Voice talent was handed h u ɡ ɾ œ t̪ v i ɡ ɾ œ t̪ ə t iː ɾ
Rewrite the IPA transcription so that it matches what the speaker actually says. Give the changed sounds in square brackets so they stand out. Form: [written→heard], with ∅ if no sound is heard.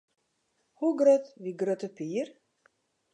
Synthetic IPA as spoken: h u ɡ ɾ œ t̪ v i ɡ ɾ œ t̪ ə [t→p] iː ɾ